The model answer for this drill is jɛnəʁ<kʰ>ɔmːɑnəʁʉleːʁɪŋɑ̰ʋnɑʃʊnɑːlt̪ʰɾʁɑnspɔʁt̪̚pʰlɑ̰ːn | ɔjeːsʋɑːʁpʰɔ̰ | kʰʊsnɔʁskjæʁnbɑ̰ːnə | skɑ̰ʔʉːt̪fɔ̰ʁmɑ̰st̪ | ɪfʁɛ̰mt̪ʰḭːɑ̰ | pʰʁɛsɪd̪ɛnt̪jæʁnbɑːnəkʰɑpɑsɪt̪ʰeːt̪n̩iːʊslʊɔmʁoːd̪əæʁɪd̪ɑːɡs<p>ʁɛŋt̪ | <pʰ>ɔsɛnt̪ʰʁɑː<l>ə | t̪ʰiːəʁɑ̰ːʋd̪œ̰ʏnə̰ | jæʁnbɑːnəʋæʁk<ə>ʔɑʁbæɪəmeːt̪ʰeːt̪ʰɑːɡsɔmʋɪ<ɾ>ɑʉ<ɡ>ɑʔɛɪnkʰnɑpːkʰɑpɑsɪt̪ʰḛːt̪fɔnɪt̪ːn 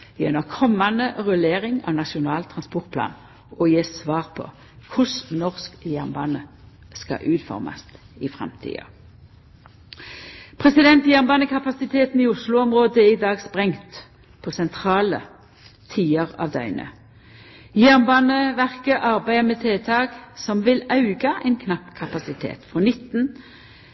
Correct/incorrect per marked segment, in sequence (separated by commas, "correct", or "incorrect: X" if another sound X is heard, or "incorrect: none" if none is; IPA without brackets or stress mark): correct, correct, correct, correct, correct, incorrect: l, correct